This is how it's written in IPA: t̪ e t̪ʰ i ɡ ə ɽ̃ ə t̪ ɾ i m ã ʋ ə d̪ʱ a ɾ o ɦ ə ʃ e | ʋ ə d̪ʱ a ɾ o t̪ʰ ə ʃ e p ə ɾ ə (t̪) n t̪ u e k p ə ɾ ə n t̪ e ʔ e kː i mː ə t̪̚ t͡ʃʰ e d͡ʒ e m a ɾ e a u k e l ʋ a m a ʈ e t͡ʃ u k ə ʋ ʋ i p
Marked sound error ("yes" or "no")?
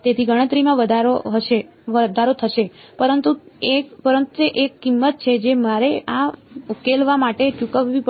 yes